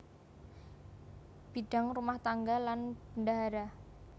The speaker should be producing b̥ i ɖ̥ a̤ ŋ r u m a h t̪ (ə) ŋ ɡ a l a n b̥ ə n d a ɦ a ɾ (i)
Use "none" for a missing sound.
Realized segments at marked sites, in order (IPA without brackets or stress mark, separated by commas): a, a